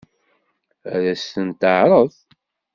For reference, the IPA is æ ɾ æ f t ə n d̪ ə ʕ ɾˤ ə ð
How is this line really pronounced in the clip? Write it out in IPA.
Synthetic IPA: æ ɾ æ s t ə n t̪ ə ʕ ɾˤ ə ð